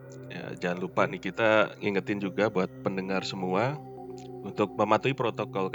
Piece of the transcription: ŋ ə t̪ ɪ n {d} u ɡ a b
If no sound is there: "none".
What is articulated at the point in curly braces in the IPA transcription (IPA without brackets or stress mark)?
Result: d͡ʒ